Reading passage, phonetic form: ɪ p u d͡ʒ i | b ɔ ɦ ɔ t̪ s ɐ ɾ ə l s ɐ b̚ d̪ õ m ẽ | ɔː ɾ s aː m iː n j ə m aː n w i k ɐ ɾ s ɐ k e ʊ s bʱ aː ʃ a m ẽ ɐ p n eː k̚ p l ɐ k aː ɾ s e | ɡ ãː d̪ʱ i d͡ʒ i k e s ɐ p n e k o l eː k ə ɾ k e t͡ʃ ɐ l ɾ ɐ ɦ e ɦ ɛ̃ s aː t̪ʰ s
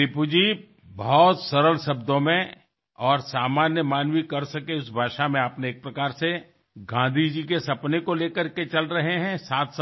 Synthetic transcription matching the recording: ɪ p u d͡ʒ i | b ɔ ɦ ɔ t̪ s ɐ ɾ ə l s ɐ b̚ d̪ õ m ẽ | ɔː ɾ s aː m aː n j ə m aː n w i k ɐ ɾ s ɐ k e ʊ s bʱ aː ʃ a m ẽ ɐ p n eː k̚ p ɾ ɐ k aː ɾ s e | ɡ ãː d̪ʱ i d͡ʒ i k e s ɐ p n e k o l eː k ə ɾ k e t͡ʃ ɐ l ɾ ɐ ɦ e ɦ ɛ̃ s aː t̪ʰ s